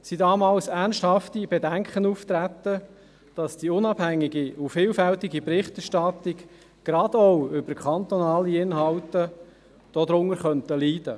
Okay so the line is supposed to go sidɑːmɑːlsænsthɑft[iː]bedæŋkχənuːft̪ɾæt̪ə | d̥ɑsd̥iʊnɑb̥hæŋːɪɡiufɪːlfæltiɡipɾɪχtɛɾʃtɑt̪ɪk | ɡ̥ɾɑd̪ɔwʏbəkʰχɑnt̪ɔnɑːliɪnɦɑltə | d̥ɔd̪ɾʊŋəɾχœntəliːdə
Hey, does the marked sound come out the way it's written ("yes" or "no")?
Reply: no